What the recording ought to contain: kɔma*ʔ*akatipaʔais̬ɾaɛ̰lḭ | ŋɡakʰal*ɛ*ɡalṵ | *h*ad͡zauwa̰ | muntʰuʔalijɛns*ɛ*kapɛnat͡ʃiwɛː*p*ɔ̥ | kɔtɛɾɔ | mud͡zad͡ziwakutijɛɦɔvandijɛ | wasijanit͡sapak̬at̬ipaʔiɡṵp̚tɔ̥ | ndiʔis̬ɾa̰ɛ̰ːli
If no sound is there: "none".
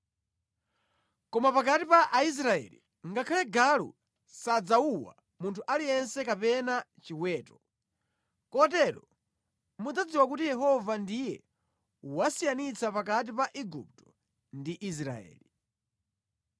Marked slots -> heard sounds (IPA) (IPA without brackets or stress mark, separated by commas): p, ɛ, s, ɛ, t